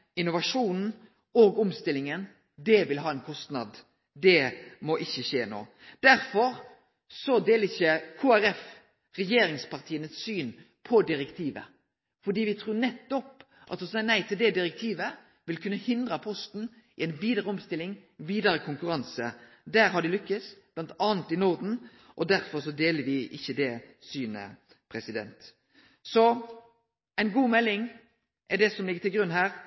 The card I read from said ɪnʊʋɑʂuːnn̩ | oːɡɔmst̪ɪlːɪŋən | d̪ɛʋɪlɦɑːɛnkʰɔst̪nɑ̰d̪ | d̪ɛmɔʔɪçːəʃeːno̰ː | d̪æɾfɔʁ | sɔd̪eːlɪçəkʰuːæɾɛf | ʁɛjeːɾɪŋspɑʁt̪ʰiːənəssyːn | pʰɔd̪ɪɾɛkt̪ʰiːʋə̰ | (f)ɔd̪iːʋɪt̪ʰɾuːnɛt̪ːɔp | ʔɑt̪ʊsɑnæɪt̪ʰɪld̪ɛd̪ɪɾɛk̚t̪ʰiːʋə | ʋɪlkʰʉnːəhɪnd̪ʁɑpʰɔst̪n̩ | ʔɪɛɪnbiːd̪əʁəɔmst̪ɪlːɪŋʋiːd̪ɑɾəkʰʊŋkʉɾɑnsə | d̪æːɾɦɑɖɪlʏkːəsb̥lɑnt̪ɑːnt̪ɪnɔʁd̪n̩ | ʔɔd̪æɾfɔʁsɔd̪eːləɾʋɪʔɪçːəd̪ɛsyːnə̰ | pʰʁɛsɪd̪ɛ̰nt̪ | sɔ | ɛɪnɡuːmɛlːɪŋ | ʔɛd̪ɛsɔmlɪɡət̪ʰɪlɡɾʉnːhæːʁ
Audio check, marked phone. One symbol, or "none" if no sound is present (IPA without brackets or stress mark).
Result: f